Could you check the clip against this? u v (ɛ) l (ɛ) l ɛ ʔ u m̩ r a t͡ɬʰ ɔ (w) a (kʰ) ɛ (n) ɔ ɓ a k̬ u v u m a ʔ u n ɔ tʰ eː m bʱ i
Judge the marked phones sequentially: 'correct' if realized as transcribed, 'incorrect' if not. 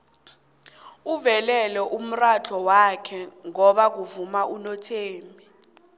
correct, correct, correct, correct, incorrect: ŋ

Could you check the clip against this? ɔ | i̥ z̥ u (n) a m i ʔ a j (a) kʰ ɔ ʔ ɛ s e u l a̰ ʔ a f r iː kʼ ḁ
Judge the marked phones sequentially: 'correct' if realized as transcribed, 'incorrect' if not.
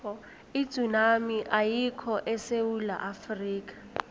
correct, incorrect: i

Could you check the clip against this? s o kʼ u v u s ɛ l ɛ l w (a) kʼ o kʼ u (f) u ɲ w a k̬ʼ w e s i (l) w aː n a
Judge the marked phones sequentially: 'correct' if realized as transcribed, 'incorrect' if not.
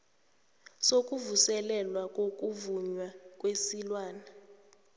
correct, incorrect: v, correct

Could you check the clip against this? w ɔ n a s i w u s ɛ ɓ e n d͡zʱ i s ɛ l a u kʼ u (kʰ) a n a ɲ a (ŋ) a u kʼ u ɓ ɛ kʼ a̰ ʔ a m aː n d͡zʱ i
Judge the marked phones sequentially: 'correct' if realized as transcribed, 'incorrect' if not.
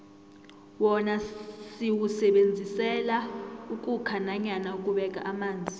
correct, incorrect: n

